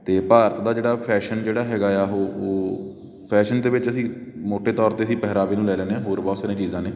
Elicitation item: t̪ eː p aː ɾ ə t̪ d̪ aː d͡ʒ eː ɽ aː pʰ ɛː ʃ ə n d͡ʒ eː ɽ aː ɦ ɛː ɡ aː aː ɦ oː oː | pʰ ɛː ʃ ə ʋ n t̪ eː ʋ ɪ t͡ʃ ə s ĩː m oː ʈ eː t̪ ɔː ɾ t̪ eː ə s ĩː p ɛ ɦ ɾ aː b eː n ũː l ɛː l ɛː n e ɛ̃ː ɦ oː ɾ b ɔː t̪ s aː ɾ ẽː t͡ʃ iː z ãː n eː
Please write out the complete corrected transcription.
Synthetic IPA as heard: t̪ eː p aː ɾ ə t̪ d̪ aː d͡ʒ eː ɽ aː pʰ ɛː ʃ ə n d͡ʒ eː ɽ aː ɦ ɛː ɡ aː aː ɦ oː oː | pʰ ɛː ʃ ə n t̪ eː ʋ ɪ t͡ʃ ə s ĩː m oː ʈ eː t̪ ɔː ɾ t̪ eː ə s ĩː p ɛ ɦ ɾ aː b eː n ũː l ɛː l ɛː n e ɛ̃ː ɦ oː ɾ b ɔː t̪ s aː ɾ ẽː t͡ʃ iː z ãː n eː